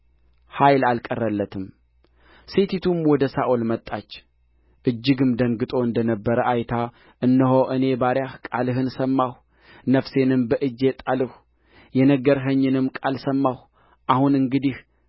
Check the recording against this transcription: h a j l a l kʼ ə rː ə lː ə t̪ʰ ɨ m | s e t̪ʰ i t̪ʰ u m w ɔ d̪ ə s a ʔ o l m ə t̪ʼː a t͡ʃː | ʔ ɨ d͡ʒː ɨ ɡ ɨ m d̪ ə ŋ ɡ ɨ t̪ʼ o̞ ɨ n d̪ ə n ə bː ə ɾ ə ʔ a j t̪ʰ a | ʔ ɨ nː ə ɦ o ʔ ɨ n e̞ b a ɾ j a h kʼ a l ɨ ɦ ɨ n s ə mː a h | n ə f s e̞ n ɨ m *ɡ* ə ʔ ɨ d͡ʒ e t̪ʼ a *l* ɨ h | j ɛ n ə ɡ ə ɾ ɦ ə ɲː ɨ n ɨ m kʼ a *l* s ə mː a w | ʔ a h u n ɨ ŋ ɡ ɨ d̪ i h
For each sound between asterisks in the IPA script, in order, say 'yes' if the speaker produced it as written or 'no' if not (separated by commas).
no, yes, yes